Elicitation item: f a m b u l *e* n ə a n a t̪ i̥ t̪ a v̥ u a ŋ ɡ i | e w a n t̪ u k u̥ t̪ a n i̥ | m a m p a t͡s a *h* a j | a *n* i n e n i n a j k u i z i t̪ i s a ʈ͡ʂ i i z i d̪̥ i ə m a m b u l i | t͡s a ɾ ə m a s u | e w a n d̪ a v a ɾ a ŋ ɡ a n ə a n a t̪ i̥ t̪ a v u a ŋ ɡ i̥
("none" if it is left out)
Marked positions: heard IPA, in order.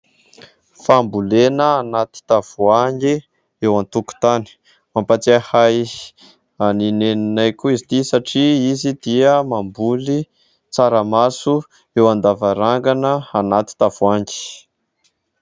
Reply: e, h, n

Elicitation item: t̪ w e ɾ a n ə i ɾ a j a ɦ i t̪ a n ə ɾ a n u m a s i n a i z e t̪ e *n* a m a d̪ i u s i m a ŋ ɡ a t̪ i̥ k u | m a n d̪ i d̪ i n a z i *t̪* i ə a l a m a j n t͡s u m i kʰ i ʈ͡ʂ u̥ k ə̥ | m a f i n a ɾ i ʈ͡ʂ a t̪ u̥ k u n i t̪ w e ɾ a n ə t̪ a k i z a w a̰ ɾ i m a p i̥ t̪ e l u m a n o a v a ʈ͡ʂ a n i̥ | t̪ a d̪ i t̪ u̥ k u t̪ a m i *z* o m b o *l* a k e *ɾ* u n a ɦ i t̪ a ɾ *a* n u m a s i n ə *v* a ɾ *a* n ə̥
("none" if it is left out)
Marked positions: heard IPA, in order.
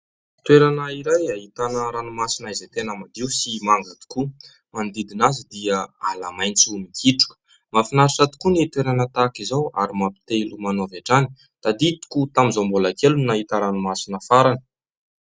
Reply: n, d̪, z, l, l, a, f, a

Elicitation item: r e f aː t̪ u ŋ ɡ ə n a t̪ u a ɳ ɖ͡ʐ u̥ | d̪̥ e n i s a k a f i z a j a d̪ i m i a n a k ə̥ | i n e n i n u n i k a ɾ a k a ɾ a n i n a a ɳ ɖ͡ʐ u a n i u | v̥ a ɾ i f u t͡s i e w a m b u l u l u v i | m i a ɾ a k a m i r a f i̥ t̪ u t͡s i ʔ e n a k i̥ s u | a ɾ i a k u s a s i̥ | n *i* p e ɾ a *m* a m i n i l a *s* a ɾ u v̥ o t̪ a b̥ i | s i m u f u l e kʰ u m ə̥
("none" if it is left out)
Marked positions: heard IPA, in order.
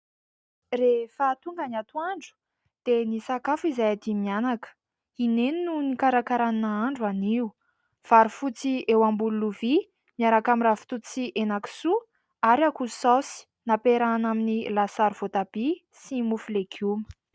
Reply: a, n, s

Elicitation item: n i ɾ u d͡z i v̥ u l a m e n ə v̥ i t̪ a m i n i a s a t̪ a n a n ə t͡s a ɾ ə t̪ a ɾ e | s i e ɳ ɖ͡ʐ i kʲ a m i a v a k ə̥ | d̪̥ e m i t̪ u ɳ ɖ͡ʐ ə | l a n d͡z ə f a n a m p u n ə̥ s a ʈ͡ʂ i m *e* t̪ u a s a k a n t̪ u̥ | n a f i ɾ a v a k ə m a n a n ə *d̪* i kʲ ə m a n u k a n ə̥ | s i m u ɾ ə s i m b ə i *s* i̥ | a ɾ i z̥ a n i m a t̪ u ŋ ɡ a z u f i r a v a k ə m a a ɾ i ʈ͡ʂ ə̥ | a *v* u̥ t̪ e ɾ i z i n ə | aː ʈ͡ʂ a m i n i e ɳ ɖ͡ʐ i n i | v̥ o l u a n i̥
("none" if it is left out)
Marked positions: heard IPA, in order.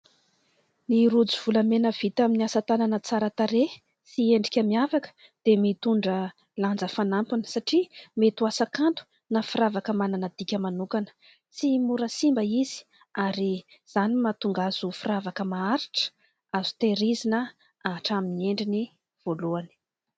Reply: e, d̪, z, z

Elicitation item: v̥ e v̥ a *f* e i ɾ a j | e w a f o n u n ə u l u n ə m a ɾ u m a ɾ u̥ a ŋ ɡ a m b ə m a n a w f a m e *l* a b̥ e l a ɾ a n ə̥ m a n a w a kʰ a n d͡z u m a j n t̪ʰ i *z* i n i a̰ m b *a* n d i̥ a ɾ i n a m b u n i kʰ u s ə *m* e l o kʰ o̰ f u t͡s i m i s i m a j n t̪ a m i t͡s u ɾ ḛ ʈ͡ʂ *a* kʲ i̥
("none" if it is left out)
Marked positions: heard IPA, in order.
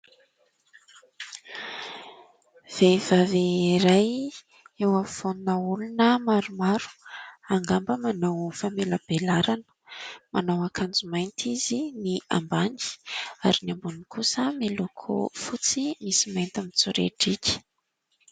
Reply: v, l, z, a, m, i

